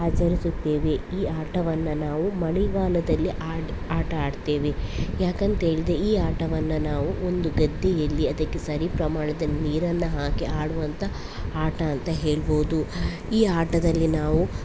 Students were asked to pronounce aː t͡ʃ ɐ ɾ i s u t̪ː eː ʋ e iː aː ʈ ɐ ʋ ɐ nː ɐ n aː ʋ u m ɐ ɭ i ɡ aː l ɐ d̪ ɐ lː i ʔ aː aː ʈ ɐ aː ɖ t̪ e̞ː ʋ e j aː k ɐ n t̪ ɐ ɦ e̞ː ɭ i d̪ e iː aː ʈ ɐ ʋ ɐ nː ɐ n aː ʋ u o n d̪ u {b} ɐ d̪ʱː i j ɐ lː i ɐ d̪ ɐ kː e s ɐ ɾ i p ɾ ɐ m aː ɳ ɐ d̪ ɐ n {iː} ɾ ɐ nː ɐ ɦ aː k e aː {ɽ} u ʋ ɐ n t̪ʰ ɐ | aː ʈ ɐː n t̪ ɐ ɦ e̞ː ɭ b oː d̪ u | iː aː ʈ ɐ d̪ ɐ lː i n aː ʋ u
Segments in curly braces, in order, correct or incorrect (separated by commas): incorrect, correct, correct